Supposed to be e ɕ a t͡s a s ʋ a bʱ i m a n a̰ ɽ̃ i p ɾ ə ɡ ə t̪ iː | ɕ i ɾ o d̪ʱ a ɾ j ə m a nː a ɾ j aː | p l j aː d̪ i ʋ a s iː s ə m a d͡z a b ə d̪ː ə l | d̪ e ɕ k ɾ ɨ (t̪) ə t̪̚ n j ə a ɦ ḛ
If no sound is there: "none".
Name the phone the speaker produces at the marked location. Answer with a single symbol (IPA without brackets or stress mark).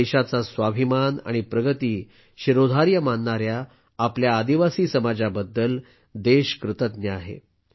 t̪